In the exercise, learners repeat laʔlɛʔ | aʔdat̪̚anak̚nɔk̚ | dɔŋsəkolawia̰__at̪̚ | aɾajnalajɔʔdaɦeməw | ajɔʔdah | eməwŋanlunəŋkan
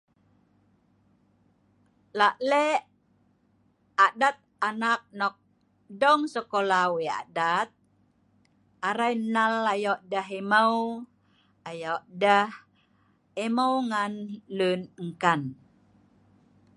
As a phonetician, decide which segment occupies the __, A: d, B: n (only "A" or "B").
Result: A